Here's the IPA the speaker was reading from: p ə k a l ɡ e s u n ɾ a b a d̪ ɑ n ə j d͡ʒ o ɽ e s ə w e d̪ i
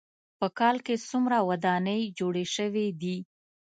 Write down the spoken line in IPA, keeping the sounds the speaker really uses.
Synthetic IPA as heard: p ə k ɑ l k e s u m ɾ a w a d̪ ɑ n ə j d͡ʒ o ɽ e ʃ ə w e d̪ i